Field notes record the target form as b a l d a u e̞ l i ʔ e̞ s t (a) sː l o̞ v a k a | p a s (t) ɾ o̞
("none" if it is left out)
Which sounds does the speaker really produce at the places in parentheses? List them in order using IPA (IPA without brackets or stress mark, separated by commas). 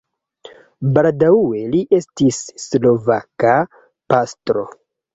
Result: i, t